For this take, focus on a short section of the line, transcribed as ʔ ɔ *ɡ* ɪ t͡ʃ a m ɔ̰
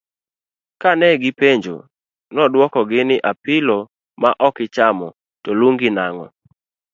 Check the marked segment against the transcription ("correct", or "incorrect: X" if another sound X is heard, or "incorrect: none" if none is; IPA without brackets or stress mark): incorrect: k